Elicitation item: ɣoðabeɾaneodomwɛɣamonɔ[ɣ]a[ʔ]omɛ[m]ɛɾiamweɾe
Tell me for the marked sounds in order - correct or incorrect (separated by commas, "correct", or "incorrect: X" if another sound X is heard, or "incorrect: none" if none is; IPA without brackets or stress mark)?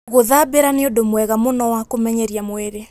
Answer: incorrect: w, incorrect: k, incorrect: ɲ